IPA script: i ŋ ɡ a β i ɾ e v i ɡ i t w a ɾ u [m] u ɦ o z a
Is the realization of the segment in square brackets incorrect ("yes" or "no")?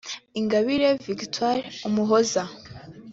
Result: no